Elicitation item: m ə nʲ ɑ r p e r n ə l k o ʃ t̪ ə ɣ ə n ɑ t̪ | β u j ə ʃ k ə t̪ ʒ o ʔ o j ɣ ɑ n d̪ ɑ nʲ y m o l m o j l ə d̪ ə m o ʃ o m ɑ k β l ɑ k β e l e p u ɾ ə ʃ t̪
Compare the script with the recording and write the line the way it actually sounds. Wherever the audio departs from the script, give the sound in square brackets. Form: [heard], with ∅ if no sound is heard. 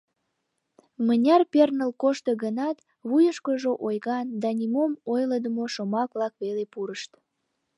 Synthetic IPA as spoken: m ə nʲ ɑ r p e r n ə l k o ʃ t̪ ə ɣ ə n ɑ t̪ | β u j ə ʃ k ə [∅] ʒ o ʔ o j ɣ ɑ n d̪ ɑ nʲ [i] m o [∅] m o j l ə d̪ ə m o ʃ o m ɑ k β l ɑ k β e l e p u ɾ ə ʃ t̪